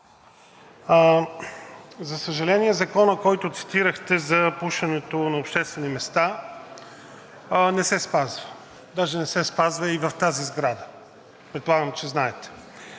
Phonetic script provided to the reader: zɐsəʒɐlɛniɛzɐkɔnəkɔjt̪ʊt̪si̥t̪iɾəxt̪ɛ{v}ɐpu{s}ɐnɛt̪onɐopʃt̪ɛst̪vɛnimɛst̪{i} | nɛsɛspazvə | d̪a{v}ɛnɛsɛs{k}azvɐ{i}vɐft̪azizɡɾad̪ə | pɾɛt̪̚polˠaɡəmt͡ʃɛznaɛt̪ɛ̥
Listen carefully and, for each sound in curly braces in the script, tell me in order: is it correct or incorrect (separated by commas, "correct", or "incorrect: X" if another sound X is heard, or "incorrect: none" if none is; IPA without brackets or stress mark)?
incorrect: z, incorrect: ʃ, incorrect: a, incorrect: ʒ, incorrect: p, correct